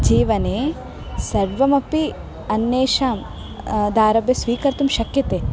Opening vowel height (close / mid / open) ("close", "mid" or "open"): close